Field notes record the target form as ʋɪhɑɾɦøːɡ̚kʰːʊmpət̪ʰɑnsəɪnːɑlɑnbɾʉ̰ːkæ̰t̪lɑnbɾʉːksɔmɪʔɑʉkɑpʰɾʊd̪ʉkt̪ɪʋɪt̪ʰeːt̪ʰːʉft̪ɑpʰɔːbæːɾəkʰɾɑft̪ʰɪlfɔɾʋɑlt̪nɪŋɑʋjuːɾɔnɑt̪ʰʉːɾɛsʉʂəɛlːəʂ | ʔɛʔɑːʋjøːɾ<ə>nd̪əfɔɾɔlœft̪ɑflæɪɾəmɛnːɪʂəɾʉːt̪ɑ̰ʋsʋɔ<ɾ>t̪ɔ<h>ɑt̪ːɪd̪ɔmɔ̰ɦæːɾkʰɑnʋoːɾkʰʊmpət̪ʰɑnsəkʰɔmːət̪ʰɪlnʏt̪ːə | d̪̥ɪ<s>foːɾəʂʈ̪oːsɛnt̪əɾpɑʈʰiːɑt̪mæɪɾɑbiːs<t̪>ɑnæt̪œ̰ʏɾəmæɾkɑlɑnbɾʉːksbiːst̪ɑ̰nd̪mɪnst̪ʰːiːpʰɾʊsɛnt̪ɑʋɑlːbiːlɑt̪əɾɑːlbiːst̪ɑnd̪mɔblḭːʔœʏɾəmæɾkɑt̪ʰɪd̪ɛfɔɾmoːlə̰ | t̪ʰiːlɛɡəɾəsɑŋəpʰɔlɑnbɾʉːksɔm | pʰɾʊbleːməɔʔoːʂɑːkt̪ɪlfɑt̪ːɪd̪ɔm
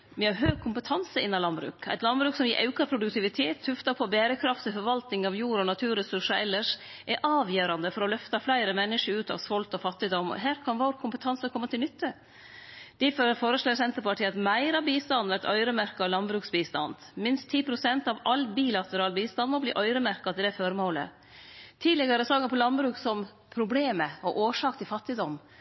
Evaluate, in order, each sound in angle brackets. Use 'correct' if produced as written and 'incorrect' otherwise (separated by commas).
incorrect, incorrect, incorrect, incorrect, correct